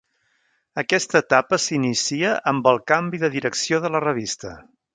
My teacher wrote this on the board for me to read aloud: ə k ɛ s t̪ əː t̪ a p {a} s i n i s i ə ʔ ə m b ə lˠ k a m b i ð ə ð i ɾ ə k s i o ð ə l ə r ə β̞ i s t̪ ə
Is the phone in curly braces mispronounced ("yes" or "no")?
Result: yes